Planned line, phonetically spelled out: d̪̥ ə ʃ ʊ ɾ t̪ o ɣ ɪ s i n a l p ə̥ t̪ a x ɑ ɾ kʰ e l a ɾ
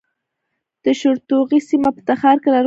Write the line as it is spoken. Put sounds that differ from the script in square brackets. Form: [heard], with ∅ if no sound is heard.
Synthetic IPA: d̪̥ ə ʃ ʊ ɾ t̪ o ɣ [i] s i [m] a [∅] p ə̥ t̪ a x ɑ ɾ [k] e l a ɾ